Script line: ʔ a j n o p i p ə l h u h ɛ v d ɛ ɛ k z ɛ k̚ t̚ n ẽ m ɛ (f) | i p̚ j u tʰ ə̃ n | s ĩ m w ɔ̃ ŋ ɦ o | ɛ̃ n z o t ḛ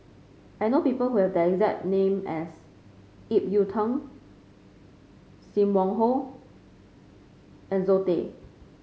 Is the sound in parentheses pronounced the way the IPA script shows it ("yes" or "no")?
no